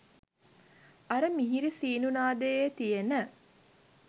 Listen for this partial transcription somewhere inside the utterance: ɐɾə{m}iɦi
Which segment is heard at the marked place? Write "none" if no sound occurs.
m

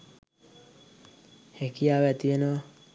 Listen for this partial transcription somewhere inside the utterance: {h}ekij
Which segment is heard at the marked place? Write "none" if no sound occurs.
h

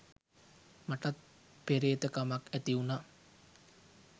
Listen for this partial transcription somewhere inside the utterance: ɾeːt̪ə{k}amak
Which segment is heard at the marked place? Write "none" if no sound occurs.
k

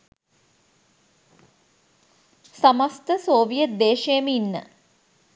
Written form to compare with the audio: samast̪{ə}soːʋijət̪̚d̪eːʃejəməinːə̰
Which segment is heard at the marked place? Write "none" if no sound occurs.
ə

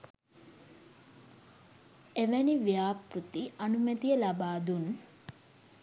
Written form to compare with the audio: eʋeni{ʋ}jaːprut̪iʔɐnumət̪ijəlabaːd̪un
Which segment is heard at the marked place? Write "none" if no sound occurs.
ʋ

